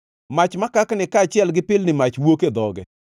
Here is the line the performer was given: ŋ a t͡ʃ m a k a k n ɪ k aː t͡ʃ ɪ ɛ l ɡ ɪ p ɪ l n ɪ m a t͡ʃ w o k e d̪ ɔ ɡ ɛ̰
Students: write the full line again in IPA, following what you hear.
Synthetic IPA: m a t͡ʃ m a k a k n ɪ k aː t͡ʃ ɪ ɛ l ɡ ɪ p ɪ l n ɪ m a t͡ʃ w o k e d̪ ɔ ɡ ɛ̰